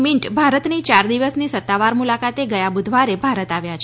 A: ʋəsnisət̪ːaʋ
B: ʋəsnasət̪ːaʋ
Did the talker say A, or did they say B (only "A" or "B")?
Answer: A